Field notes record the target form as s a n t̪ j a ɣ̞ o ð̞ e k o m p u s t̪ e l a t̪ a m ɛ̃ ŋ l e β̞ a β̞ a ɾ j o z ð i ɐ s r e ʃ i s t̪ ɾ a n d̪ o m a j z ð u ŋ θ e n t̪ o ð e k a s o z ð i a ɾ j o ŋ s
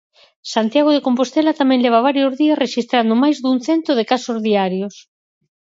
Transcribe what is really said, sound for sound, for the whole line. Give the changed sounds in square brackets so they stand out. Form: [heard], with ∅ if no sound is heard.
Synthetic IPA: s a n t̪ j a ɣ̞ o ð̞ e k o m p [o] s t̪ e l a t̪ a m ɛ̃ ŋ l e β̞ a β̞ a ɾ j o z ð i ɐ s r e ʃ i s t̪ ɾ a n d̪ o m a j z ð u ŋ θ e n t̪ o ð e k a s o z ð i a ɾ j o [∅] s